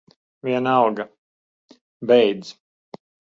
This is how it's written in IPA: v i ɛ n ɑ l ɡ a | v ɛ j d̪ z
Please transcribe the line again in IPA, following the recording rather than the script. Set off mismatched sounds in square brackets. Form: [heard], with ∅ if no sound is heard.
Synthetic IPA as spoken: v i ɛ n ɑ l ɡ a | [b] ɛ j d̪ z